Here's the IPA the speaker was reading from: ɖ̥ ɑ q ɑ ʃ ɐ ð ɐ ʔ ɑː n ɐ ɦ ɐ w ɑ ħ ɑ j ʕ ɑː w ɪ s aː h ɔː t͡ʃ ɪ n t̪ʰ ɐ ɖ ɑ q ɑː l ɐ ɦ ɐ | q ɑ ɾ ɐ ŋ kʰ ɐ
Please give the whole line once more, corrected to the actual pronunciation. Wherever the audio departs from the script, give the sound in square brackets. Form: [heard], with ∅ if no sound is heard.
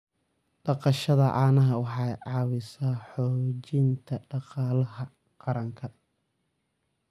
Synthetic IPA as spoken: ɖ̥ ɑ q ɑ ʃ ɐ ð ɐ ʔ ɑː n ɐ ɦ ɐ w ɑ ħ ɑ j ʕ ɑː w ɪ s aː [ħ] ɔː t͡ʃ ɪ n t̪ʰ ɐ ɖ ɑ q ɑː l ɐ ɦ ɐ | q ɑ ɾ ɐ ŋ kʰ ɐ